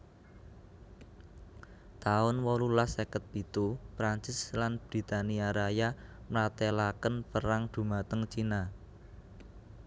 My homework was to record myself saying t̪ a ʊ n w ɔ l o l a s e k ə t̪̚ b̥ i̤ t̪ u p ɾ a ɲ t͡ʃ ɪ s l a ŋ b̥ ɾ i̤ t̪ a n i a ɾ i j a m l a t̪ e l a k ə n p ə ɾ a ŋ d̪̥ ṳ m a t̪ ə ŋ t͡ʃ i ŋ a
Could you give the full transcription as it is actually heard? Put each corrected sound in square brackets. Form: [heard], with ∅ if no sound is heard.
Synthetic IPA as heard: t̪ a ʊ n w ɔ l [u] l a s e k ə t̪̚ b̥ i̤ t̪ u p ɾ a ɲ t͡ʃ ɪ s l a [n] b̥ ɾ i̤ t̪ a n i a ɾ [a] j a m l a t̪ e l a k ə n p ə ɾ a ŋ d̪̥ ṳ m a t̪ ə ŋ t͡ʃ i [n] a